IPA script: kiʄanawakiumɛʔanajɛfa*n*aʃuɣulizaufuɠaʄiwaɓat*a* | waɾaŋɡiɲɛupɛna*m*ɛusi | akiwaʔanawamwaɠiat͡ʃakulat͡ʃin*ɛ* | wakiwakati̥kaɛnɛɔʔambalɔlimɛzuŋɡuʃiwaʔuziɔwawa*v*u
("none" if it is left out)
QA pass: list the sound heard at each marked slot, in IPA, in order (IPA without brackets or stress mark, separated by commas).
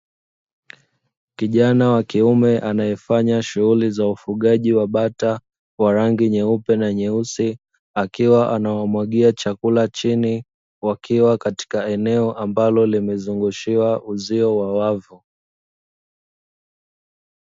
ɲ, a, ɲ, i, v